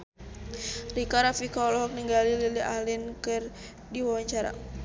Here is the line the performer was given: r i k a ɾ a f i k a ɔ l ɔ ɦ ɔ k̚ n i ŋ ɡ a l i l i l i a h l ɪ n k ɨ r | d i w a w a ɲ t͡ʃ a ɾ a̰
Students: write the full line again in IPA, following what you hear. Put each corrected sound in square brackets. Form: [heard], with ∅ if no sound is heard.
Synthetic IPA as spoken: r i k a ɾ a f i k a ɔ l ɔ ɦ ɔ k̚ n i ŋ ɡ a l i l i l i a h l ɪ n k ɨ r | d i w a w a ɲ t͡ʃ a ɾ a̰